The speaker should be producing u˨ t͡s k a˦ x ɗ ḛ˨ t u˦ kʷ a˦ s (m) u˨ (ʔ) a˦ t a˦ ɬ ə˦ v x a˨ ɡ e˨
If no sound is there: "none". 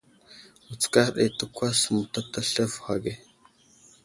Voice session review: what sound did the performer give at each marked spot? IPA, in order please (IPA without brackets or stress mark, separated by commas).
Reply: m, t